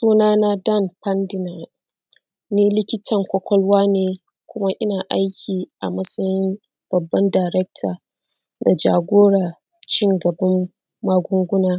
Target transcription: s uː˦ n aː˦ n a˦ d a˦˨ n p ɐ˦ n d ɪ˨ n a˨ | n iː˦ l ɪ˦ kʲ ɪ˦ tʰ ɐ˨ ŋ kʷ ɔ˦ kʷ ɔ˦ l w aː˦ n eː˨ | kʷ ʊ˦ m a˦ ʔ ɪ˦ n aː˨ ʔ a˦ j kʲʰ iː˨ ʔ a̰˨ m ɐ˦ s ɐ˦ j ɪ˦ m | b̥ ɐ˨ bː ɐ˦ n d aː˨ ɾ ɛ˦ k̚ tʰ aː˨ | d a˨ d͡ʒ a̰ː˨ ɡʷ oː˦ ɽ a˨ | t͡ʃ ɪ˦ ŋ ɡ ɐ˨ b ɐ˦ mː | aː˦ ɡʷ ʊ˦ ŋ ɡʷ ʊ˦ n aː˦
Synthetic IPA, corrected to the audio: s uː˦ n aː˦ n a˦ d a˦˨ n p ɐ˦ n d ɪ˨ n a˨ | n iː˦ l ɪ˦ kʲ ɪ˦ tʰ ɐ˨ ŋ kʷ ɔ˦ kʷ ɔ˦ l w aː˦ n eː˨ | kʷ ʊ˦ m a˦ ʔ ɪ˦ n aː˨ ʔ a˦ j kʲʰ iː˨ ʔ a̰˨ m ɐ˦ s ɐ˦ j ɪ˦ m | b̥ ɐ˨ bː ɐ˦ n d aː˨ ɾ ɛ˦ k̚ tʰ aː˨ | d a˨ d͡ʒ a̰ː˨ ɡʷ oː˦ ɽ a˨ | t͡ʃ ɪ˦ ŋ ɡ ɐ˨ b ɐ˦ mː | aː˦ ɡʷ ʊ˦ ŋ ɡʷ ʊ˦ n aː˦